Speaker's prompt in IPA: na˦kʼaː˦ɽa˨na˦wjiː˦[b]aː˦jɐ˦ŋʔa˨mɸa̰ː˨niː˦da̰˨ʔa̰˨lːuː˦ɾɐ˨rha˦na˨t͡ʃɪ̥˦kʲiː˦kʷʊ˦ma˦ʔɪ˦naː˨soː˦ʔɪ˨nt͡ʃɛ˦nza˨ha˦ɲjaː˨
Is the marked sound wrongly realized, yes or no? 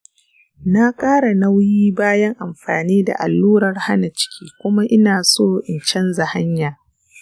no